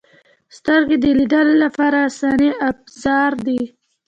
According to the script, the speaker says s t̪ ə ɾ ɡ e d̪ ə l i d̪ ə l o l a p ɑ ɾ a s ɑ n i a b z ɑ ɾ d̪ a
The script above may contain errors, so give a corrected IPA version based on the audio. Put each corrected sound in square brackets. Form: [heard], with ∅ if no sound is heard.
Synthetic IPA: s t̪ ə ɾ ɡ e d̪ ə l i d̪ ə l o l a p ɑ ɾ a s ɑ n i a b z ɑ ɾ d̪ [i]